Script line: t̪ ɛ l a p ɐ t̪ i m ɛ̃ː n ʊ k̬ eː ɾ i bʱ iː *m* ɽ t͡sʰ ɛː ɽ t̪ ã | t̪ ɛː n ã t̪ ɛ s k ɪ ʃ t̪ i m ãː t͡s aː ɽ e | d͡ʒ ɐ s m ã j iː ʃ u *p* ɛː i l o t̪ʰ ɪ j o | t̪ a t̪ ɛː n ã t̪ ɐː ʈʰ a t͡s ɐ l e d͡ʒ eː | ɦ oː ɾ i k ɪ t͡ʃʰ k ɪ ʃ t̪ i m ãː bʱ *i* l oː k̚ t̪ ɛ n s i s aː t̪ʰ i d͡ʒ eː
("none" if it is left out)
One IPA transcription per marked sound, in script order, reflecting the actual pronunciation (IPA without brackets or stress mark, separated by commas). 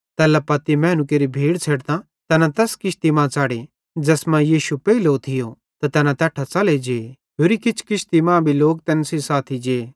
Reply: none, p, i